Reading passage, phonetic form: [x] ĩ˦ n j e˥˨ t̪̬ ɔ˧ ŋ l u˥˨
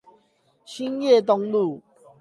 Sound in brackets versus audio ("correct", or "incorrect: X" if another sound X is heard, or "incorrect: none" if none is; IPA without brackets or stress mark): incorrect: ɕ